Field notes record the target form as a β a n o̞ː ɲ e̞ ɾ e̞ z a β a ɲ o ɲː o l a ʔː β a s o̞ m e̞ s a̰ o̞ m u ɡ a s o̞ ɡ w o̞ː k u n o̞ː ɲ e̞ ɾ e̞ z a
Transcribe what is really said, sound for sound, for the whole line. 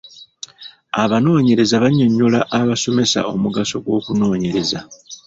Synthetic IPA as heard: a β a n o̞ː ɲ e̞ ɾ e̞ z a β a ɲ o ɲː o l a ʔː β a s o̞ m e̞ s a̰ o̞ m u ɡ a s o̞ ɡ w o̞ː k u n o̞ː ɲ e̞ ɾ e̞ z a